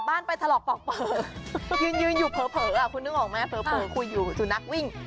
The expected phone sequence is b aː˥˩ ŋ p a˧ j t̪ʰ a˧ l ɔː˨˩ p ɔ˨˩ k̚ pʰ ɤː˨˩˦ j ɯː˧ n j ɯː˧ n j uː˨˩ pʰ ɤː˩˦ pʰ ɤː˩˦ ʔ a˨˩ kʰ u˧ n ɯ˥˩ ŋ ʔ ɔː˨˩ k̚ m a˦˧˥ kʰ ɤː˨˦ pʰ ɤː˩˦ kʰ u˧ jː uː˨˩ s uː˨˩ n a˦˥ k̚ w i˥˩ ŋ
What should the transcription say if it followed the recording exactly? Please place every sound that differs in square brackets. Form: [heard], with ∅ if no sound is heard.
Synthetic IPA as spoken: b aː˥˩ [n] p a˧ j t̪ʰ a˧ l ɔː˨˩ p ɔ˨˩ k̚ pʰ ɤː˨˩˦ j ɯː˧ n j ɯː˧ n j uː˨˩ pʰ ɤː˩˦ pʰ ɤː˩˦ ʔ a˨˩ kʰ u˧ n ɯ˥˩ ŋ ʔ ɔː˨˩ k̚ m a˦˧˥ [pʰ] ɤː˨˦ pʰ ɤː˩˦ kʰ u˧ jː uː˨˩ s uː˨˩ n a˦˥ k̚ w i˥˩ ŋ